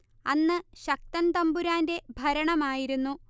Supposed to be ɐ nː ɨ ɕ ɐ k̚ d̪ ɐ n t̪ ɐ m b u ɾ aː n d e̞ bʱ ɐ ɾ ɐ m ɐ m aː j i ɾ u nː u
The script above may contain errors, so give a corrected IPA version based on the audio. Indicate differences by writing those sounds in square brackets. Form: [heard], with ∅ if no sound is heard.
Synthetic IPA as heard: ɐ nː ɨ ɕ ɐ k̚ [t̪] ɐ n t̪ ɐ m b u ɾ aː n d e̞ bʱ ɐ ɾ ɐ [ɳ] ɐ m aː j i ɾ u nː u